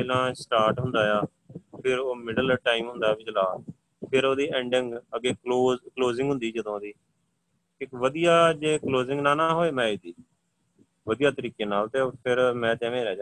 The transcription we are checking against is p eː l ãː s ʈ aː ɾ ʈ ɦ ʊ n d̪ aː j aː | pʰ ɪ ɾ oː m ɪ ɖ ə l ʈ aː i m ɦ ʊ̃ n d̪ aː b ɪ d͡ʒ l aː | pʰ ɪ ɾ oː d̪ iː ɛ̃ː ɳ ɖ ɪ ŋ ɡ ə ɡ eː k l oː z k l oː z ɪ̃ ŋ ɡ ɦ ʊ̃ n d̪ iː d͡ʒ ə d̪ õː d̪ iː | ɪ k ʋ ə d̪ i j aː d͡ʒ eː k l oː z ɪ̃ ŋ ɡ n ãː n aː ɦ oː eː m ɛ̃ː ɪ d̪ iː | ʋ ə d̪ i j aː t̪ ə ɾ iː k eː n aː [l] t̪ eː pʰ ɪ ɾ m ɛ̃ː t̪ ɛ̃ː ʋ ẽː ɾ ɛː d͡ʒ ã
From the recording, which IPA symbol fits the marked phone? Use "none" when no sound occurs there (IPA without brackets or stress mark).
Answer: l